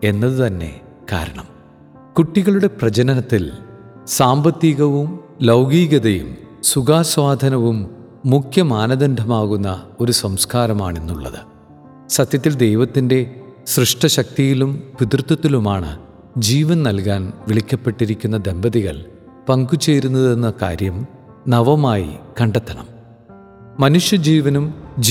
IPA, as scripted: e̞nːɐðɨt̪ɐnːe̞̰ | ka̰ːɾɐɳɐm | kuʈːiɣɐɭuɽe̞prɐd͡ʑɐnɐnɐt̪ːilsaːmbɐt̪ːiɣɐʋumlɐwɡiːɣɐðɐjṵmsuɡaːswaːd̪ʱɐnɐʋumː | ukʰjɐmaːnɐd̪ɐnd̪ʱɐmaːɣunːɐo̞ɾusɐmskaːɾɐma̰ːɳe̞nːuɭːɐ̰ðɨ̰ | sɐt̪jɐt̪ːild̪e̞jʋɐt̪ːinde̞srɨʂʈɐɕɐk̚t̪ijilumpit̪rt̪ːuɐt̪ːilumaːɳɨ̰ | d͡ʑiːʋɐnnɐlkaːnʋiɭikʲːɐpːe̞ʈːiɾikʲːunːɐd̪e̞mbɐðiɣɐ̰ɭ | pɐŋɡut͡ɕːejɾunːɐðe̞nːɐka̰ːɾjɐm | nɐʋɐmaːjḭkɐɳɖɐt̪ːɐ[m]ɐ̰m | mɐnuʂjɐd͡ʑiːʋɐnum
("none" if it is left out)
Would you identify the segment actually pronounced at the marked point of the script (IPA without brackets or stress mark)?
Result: ɳ